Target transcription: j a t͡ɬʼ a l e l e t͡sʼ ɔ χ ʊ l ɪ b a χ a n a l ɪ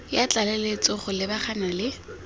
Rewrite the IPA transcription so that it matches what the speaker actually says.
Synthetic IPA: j a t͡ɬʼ a l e l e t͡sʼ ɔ χ ʊ l ɪ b a χ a n a l ɪ

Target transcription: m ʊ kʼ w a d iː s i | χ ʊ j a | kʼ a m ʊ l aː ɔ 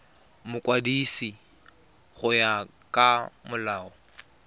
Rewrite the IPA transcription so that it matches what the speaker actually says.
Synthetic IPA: m ʊ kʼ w a d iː s i | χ ʊ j a | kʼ a m ʊ l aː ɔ

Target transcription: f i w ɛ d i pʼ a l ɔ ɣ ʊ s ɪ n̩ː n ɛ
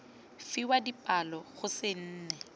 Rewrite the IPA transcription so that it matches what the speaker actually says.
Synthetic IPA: f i w a d i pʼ a l ɔ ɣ ʊ s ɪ n̩ː n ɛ

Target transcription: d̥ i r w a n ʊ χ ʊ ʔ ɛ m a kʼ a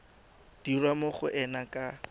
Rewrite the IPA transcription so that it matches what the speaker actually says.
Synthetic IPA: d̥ i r w a m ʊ χ ʊ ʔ ɛ n a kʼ a

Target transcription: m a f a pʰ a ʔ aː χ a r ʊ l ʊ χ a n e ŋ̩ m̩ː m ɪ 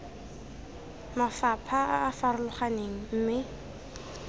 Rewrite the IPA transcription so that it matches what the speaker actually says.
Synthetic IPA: m a f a pʰ a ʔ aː f a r ʊ l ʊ χ a n e ŋ̩ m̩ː m ɪ

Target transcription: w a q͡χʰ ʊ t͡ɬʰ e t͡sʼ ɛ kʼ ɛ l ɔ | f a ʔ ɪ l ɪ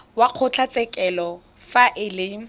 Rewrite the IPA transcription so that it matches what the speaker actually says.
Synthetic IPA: w a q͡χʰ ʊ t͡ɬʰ a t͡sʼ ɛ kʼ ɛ l ɔ | f a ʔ ɪ l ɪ

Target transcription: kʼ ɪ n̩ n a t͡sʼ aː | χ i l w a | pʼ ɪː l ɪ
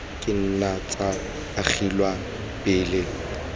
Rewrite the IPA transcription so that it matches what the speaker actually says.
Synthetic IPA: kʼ ɪ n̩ n a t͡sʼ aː | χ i l w a | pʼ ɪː l ɪ

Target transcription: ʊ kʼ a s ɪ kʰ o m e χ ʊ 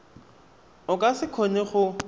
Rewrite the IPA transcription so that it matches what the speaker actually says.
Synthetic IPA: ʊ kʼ a s ɪ kʰ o n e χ ʊ

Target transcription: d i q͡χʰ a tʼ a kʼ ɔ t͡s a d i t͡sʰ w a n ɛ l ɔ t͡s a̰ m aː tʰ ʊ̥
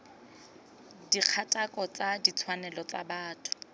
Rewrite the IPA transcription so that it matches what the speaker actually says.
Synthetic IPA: d i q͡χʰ a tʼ a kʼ ɔ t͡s a d i t͡sʰ w a n ɛ l ɔ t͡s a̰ b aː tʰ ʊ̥

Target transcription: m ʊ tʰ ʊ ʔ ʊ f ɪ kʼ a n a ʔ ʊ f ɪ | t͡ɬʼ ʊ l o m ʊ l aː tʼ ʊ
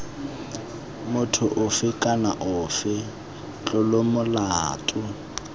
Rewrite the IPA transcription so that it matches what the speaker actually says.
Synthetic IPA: m ʊ tʰ ʊ ʔ ʊ f ɪ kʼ a n a ʔ ʊ f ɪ | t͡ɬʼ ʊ l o m ʊ l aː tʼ ʊ

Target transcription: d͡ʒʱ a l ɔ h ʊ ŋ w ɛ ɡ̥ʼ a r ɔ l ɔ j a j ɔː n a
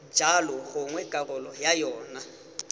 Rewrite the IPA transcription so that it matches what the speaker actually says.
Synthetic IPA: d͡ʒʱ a l ɔ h ʊ ŋ w ɛ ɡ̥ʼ a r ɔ l ɔ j a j ɔː n a

